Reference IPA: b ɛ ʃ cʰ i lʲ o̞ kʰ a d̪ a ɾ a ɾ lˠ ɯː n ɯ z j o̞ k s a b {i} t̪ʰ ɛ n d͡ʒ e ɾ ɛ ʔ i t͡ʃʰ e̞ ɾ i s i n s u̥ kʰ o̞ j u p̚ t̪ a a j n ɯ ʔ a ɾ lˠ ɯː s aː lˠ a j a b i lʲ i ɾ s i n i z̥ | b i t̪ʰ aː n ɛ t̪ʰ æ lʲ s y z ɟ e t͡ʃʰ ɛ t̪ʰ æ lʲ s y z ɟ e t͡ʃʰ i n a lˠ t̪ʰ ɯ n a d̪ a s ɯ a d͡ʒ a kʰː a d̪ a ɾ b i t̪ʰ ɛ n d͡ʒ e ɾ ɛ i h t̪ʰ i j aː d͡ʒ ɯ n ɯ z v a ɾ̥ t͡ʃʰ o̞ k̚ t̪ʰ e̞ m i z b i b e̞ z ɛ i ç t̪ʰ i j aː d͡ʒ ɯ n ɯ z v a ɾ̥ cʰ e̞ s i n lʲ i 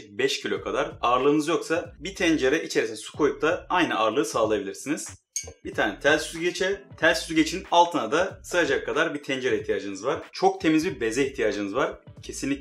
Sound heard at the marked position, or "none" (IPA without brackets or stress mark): i